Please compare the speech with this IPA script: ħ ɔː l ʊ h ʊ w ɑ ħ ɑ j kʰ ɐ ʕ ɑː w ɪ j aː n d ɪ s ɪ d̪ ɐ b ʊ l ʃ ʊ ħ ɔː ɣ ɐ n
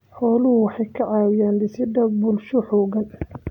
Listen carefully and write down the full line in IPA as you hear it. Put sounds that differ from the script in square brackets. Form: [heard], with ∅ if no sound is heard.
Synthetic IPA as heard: ħ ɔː l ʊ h ʊ w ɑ ħ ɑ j kʰ ɐ ʕ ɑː w ɪ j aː n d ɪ s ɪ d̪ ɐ b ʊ l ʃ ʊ ħ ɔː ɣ ɐ n